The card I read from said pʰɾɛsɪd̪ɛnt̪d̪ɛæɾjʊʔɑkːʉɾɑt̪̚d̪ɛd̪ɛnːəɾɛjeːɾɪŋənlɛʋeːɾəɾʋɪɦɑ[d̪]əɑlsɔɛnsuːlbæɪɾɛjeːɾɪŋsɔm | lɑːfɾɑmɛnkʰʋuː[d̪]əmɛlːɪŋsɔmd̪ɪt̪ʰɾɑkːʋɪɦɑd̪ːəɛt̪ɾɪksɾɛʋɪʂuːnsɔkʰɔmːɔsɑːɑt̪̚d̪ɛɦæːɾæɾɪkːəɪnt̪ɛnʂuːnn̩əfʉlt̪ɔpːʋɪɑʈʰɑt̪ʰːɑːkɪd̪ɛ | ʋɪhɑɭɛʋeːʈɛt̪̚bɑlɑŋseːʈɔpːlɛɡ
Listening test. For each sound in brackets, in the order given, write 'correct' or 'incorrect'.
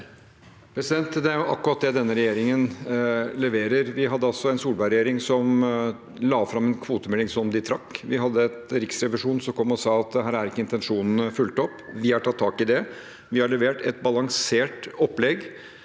incorrect: d̪ː, incorrect: t̪

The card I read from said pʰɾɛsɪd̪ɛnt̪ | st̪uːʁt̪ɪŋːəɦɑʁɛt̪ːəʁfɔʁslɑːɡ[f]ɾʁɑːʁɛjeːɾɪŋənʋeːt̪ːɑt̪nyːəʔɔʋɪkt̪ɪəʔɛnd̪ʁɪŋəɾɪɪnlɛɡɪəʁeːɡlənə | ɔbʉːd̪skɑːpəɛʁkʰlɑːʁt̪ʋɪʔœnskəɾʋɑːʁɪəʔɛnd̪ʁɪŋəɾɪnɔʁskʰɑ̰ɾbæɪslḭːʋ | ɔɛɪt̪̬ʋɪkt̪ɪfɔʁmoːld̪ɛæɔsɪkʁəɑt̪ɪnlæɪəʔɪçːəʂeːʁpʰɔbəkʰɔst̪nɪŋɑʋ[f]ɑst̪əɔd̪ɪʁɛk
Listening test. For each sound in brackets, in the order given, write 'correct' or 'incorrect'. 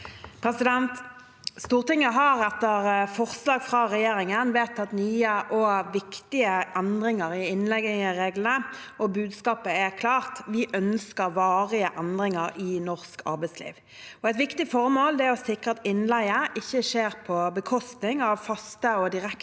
correct, correct

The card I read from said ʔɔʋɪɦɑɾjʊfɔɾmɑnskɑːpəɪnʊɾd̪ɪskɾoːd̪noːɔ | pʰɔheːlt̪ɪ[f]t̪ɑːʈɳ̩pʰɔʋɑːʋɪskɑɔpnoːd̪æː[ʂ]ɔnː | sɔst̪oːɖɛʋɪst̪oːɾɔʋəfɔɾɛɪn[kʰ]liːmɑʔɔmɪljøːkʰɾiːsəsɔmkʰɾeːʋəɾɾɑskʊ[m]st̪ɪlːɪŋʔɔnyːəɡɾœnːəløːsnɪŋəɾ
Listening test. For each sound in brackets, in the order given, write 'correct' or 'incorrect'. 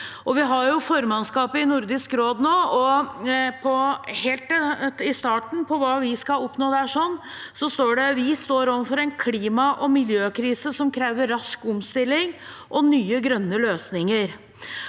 incorrect: s, correct, correct, correct

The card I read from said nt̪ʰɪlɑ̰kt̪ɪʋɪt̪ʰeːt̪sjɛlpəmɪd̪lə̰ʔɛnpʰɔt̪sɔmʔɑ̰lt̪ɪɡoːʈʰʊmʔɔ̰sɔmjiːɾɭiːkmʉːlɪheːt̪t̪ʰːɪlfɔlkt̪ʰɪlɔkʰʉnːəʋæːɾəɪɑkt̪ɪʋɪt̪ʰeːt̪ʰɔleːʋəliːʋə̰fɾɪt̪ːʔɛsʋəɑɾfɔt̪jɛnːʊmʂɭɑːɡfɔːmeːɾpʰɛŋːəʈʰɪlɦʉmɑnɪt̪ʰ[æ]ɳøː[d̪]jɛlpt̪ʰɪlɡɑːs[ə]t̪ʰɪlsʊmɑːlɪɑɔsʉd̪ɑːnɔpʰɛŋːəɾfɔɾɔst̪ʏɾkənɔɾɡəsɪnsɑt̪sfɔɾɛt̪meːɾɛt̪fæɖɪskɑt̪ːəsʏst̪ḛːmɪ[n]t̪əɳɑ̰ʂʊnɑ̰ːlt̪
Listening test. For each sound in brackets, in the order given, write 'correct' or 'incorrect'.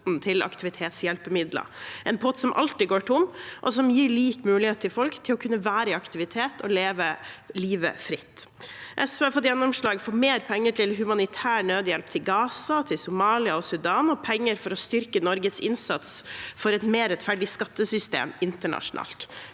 incorrect: æː, correct, incorrect: ɑ, correct

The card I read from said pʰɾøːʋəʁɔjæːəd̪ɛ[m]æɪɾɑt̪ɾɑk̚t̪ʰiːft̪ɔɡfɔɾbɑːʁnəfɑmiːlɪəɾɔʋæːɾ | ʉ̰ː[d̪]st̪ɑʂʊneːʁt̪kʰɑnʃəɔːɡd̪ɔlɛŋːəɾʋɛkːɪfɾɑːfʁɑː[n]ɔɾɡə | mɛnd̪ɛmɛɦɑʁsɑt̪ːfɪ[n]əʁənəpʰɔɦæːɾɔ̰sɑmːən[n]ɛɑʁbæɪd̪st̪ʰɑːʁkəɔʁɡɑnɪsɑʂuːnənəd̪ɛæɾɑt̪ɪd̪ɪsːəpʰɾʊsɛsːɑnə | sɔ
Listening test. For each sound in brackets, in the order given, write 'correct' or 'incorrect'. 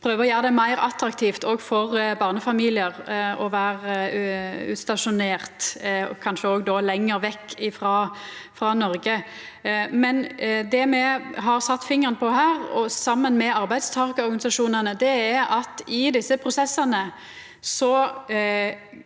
correct, incorrect: t̪, correct, incorrect: ŋ, incorrect: m

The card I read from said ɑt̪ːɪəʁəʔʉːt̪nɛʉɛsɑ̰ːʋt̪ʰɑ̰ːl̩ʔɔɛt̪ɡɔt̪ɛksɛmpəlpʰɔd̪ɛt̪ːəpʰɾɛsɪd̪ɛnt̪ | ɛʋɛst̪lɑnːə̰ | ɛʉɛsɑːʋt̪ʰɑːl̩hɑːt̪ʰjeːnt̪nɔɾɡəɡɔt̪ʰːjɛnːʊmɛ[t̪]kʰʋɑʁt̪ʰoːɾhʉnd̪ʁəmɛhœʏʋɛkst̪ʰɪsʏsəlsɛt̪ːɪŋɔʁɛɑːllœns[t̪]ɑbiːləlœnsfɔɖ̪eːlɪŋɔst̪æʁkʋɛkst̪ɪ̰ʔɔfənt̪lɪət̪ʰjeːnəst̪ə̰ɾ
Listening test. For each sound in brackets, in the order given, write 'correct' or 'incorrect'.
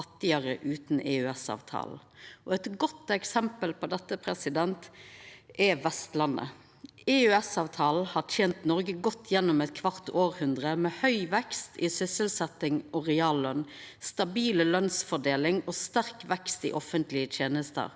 correct, correct

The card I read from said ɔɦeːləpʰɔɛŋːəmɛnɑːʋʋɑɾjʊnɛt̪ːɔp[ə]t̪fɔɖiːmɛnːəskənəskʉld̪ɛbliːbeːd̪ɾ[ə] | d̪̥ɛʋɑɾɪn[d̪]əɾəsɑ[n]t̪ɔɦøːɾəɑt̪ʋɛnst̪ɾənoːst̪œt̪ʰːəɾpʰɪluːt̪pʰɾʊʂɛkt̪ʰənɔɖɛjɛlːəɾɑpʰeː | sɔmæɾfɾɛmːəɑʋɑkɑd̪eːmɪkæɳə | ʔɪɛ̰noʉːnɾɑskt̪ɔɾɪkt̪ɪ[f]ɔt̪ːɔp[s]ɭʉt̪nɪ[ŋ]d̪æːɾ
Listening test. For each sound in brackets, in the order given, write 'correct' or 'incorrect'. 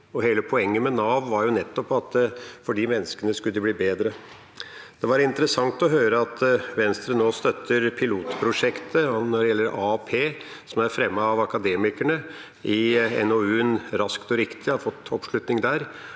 incorrect: ɑ, correct, incorrect: t̪, incorrect: ŋ, correct, incorrect: ʂ, correct

